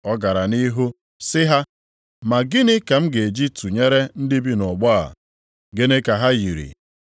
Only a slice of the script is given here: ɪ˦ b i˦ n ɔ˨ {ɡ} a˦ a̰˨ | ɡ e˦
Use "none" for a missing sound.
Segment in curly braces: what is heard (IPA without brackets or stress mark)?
ɡ͡b